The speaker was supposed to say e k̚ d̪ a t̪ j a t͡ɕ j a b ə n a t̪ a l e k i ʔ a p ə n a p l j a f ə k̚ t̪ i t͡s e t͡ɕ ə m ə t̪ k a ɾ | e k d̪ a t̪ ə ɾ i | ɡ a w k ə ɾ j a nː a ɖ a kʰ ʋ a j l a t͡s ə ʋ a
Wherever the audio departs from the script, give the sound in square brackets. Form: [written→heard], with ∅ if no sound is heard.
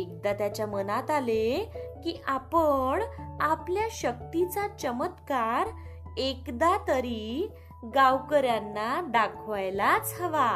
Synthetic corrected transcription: e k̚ d̪ a t̪ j a t͡ɕ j a [b→m] ə n a t̪ a l e k i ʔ a p ə [n→ɳ] a p l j a [f→ɕ] ə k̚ t̪ i t͡s [e→a] t͡ɕ ə m ə t̪ k a ɾ | e k d̪ a t̪ ə ɾ i | ɡ a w k ə ɾ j a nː a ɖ a kʰ ʋ a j l a t͡s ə ʋ a